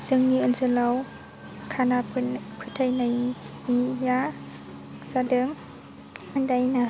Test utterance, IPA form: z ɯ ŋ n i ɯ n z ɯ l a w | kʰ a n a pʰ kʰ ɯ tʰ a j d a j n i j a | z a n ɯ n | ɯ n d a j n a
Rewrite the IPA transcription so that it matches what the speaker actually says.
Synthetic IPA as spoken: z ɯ ŋ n i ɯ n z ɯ l a w | kʰ a n a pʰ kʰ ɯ tʰ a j n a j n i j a | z a d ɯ ŋ | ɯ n d a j n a